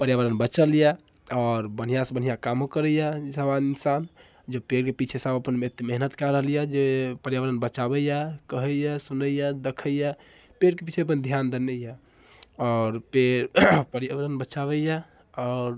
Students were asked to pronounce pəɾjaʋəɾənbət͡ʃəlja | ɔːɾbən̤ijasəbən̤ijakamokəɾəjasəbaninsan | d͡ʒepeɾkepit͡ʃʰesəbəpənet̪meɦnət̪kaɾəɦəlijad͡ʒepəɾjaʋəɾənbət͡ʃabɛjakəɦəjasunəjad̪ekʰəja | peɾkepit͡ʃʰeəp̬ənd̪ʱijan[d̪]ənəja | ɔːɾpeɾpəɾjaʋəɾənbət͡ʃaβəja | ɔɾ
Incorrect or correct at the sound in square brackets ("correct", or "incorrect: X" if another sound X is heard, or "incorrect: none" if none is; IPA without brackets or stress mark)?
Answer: correct